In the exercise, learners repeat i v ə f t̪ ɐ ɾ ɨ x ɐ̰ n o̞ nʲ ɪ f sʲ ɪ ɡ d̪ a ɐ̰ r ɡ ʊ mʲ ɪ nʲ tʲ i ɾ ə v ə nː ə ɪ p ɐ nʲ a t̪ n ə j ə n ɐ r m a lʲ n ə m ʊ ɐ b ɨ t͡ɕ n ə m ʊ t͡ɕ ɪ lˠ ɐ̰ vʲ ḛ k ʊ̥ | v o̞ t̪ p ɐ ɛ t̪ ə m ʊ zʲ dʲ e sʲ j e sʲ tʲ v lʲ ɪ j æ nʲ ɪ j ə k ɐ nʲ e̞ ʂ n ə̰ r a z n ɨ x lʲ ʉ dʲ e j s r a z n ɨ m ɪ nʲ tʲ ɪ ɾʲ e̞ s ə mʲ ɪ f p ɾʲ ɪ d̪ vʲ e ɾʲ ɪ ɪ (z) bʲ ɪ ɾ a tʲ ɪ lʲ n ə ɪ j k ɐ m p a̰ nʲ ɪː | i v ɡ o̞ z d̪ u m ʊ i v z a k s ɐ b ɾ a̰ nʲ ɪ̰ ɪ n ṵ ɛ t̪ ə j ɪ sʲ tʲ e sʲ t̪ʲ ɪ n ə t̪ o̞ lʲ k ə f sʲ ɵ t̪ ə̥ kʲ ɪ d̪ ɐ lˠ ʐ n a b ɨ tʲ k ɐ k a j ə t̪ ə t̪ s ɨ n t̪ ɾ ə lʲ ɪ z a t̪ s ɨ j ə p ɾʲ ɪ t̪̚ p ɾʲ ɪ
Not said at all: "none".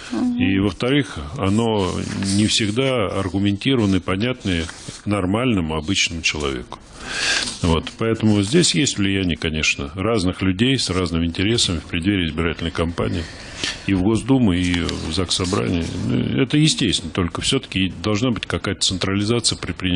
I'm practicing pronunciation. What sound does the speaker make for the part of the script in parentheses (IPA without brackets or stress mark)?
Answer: z